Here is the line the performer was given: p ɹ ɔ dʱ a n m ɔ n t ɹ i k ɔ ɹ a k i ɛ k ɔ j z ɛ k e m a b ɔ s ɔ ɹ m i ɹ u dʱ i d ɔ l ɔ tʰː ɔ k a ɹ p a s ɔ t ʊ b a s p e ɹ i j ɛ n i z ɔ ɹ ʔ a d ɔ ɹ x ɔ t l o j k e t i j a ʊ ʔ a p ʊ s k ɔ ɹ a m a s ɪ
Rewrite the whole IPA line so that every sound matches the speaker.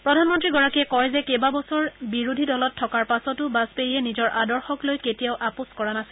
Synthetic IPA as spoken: p ɹ ɔ dʱ a n m ɔ n t ɹ i ɡ ɔ ɹ a k i ɛ k ɔ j z ɛ k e b a b ɔ s ɔ ɹ b i ɹ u dʱ i d ɔ l ɔ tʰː ɔ k a ɹ p a s ɔ t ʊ b a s p e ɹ i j ɛ n i z ɔ ɹ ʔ a d ɔ ɹ x ɔ k l o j k e t i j a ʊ ʔ a p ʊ s k ɔ ɹ a n a s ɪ